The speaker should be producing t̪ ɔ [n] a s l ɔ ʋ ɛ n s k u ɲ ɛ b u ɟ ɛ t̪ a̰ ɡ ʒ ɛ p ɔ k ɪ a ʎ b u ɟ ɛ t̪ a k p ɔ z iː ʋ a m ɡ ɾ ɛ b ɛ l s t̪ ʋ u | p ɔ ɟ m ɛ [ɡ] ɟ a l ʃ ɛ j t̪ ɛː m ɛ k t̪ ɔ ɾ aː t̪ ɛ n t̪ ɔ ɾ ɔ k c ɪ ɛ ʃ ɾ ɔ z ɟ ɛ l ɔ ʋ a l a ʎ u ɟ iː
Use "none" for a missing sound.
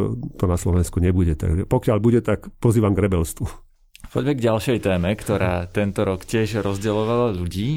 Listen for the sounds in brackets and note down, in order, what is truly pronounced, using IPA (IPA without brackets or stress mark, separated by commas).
n, ɡ